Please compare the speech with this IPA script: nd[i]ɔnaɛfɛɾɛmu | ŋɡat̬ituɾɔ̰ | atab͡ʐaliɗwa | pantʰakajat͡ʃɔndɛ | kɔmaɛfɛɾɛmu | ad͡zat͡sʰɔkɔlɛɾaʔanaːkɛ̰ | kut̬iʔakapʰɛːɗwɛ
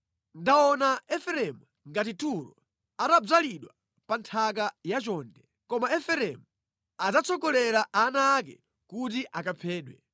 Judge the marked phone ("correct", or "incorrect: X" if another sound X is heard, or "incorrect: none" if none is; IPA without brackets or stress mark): incorrect: a